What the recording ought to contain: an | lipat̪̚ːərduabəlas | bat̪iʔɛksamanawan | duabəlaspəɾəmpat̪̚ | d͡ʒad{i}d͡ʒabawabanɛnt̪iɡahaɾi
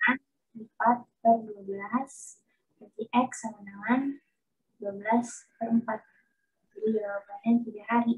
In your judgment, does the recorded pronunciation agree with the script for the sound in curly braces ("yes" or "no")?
yes